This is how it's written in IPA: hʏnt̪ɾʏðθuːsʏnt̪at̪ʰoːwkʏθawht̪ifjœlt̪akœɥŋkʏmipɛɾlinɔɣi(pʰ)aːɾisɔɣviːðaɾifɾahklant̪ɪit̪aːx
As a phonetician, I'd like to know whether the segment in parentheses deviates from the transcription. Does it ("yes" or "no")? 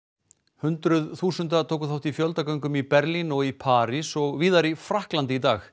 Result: no